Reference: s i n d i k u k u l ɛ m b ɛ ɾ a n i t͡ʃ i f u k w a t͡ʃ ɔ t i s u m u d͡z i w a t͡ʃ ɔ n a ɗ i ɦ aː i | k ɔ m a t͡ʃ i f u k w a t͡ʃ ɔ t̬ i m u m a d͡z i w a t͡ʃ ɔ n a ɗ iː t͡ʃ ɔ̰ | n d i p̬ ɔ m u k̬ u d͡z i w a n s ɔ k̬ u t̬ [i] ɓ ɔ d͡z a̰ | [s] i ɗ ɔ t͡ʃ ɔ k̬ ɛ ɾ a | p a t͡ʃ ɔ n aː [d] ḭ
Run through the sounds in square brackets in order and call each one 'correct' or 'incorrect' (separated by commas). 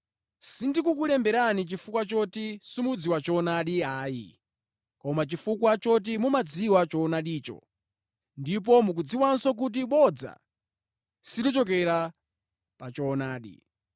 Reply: correct, correct, incorrect